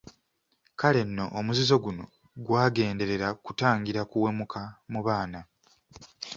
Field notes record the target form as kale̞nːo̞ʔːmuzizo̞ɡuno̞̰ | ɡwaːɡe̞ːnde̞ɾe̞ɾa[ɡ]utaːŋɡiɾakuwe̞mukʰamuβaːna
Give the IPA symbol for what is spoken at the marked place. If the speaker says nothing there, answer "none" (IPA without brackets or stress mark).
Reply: k